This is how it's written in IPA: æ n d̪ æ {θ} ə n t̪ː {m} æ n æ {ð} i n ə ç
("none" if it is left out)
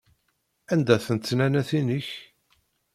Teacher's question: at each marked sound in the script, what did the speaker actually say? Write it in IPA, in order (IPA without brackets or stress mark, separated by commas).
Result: θ, n, θ